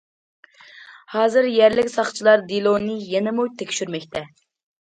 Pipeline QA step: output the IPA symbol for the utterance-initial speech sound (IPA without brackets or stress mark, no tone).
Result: h